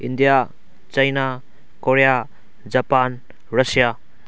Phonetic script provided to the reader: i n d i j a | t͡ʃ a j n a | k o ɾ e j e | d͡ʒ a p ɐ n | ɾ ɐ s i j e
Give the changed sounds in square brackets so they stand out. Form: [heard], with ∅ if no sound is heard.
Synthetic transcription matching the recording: i n d i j a | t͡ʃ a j n a | k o ɾ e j [a] | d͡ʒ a p [a] n | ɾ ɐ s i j [a]